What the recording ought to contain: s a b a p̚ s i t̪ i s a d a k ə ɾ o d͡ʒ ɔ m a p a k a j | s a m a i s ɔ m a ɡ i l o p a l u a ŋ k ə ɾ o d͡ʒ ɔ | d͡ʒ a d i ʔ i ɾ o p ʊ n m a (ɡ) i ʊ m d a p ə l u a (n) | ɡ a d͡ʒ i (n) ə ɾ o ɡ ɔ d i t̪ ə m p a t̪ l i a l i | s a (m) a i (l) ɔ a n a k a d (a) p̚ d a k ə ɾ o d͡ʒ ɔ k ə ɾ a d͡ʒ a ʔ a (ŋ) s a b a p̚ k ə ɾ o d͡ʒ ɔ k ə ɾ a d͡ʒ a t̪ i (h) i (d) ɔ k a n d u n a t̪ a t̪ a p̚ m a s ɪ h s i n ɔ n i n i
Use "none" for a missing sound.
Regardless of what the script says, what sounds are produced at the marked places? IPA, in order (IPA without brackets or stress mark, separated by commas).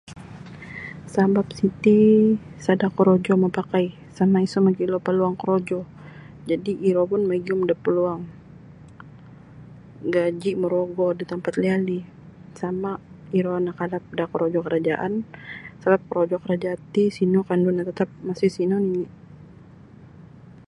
ɡ, ŋ, m, m, ɾ, a, n, s, n